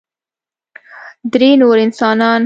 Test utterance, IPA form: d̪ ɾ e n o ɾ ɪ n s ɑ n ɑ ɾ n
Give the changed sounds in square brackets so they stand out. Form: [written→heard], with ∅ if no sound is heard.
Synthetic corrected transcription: d̪ ɾ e n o ɾ ɪ n s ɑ n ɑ [ɾ→∅] n